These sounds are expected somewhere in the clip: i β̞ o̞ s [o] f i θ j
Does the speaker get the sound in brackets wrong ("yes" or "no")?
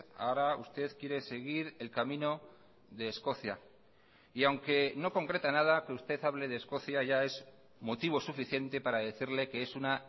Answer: yes